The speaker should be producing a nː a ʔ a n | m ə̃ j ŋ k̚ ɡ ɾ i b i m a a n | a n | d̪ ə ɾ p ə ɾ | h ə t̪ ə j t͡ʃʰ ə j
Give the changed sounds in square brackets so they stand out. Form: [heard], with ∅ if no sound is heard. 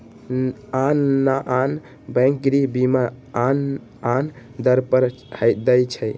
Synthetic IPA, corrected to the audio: a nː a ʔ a n | [b] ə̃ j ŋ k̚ ɡ ɾ i b i m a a n | a n | d̪ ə ɾ p ə ɾ | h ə [d̪] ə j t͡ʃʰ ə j